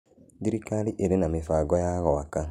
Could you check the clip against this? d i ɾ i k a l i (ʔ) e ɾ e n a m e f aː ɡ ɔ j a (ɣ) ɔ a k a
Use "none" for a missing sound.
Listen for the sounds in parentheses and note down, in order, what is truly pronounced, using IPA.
ʔ, ɣ

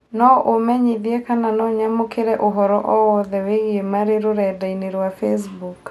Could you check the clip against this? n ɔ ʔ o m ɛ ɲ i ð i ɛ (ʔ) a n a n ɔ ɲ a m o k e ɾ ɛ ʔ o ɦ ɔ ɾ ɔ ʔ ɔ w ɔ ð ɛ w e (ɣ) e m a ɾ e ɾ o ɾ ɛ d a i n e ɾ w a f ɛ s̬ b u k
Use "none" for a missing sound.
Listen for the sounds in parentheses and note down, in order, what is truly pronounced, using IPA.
k, ɣ

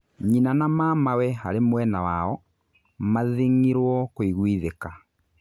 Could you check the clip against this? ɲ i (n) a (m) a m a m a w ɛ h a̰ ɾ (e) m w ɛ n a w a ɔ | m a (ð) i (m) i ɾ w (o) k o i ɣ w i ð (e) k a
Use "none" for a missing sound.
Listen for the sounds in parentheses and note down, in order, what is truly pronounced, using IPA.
n, n, e, ð, ŋ, ɔ, e

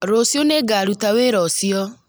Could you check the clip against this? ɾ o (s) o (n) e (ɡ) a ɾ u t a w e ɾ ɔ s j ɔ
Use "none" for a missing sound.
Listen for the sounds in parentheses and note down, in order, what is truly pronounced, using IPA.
s, n, ɡ

